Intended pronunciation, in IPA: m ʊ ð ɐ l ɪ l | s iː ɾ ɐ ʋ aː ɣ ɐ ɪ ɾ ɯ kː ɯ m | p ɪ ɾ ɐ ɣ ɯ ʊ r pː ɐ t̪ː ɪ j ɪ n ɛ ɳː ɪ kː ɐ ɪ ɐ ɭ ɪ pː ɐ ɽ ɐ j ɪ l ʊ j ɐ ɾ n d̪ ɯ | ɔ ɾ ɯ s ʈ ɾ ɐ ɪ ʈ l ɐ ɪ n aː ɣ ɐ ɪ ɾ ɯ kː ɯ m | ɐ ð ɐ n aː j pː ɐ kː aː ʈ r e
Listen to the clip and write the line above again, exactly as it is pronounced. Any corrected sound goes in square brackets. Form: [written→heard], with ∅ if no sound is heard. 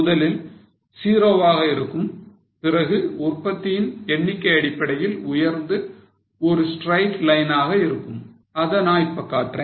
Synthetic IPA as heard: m ʊ ð ɐ l ɪ l | s iː ɾ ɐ ʋ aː ɣ ɐ ɪ ɾ ɯ kː ɯ m | p ɪ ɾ ɐ ɣ ɯ ʊ r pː ɐ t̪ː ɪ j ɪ n ɛ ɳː ɪ kː ɐ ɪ ɐ [ɭ→ɽ] ɪ pː ɐ ɽ ɐ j ɪ l ʊ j ɐ ɾ n d̪ ɯ | ɔ ɾ ɯ s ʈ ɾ ɐ ɪ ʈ l ɐ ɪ n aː ɣ ɐ ɪ ɾ ɯ kː ɯ m | ɐ ð ɐ n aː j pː ɐ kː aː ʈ r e